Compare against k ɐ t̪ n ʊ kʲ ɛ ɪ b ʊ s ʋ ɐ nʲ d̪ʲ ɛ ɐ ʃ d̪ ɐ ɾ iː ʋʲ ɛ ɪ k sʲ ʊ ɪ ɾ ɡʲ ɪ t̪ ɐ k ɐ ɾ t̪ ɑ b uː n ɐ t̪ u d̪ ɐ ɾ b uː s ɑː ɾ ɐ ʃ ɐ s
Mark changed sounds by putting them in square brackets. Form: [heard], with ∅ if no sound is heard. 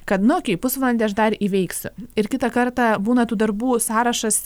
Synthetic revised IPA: k ɐ t̪ n ʊ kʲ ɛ ɪ [p] ʊ s ʋ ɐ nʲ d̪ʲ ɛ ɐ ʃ d̪ ɐ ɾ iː ʋʲ ɛ ɪ k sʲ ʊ ɪ ɾ [kʲ] ɪ t̪ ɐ k ɐ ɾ t̪ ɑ b uː n ɐ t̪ [uː] d̪ ɐ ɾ b uː s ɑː ɾ ɐ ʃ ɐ s